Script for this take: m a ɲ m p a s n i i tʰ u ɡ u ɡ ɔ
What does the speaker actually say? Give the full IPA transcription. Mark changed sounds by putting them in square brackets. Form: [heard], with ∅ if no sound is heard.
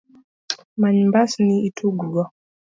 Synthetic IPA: m a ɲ m [b] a s n i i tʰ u ɡ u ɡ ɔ